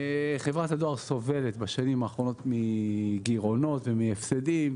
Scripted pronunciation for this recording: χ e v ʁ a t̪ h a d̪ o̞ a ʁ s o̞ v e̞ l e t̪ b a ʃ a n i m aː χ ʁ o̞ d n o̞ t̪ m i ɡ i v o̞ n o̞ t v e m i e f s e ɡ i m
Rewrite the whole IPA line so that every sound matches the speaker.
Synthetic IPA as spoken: χ e v ʁ a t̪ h a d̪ o̞ a ʁ s o̞ v e̞ l e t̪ b a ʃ a n i m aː χ ʁ o̞ n o̞ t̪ m i ɡ i ʁ o̞ n o̞ t v e m i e f s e d i m